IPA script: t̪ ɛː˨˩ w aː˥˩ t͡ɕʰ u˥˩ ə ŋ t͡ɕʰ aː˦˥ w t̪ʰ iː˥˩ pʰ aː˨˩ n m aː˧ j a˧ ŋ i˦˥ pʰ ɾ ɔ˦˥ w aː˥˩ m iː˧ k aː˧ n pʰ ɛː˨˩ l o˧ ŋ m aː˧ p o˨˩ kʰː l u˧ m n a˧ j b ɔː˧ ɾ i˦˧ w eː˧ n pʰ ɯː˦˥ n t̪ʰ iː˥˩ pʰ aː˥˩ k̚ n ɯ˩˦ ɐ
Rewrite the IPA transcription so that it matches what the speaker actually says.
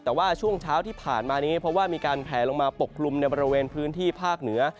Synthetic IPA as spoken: t̪ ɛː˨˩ w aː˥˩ t͡ɕʰ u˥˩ ə ŋ t͡ɕʰ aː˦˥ w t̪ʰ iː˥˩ pʰ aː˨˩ n m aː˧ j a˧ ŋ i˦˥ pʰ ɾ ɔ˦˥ w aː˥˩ m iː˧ k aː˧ n pʰ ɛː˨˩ l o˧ ŋ m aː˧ p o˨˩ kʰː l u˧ m n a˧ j b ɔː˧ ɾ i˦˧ w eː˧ n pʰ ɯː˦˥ n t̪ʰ iː˥˩ pʰ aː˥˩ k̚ n ɯ˩˦ ɐ